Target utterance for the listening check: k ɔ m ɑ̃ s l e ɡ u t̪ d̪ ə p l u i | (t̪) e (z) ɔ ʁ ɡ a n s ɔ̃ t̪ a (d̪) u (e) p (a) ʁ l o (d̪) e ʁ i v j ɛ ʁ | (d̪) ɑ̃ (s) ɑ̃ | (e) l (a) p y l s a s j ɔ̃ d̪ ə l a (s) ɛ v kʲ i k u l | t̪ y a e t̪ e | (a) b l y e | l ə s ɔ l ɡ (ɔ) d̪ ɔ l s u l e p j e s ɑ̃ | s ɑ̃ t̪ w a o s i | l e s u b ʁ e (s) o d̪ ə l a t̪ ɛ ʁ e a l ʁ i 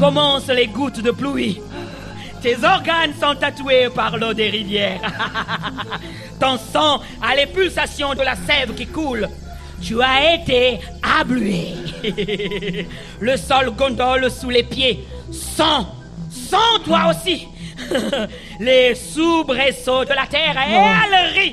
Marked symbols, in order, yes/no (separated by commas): yes, yes, no, yes, yes, yes, no, yes, no, no, yes, yes, no, yes